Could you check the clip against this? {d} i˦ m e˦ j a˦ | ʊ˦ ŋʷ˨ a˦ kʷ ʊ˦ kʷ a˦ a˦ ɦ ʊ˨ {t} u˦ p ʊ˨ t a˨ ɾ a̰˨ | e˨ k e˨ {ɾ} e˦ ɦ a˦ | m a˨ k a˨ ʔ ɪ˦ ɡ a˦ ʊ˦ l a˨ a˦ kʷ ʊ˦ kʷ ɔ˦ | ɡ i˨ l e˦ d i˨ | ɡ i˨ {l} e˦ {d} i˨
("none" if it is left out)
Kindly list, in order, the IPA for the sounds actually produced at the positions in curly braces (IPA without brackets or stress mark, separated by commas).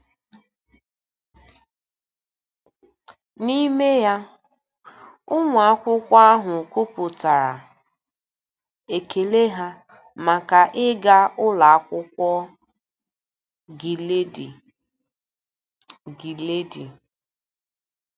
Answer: n, k, l, l, d